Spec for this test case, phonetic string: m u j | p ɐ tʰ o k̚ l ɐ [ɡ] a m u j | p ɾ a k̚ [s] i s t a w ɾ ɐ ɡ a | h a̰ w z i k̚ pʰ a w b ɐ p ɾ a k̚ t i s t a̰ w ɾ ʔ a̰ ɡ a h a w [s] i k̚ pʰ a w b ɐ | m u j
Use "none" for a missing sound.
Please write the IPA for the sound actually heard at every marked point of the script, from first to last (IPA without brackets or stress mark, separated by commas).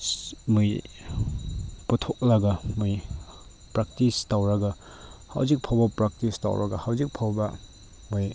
ɡ, t, z